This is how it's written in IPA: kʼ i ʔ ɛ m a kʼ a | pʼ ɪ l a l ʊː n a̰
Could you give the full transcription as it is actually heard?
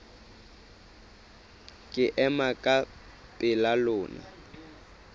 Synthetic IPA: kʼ ɪ ʔ ɛ m a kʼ a | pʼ ɪ l a l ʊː n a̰